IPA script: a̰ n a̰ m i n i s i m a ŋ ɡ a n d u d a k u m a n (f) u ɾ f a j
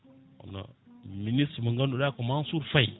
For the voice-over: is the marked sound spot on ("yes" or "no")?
no